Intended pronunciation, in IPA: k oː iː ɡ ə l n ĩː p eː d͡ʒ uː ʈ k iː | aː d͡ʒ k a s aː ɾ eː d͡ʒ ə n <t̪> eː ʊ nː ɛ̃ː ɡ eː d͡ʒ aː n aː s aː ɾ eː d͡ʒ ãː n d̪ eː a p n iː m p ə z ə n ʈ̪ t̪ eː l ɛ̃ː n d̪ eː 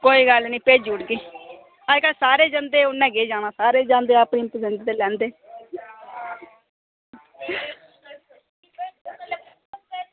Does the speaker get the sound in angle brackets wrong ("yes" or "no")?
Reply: yes